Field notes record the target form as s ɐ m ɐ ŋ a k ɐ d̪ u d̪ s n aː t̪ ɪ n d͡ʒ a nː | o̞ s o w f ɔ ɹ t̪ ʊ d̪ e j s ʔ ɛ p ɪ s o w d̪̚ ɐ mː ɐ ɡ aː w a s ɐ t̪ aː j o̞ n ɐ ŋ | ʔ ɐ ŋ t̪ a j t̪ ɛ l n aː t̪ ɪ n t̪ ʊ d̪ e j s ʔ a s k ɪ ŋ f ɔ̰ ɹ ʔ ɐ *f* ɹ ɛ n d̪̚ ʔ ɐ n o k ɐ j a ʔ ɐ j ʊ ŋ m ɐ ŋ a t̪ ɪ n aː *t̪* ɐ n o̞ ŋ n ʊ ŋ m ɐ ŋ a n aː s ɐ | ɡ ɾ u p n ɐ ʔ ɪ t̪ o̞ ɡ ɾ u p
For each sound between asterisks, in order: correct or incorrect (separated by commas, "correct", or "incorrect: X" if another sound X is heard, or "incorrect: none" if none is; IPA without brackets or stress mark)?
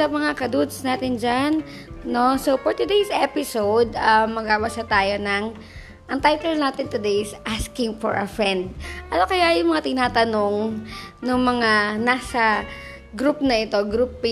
correct, correct